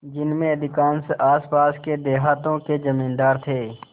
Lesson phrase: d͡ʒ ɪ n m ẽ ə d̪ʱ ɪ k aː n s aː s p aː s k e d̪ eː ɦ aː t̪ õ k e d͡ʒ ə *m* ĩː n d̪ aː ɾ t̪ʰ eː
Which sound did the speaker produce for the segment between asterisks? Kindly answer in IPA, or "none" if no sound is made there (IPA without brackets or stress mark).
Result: m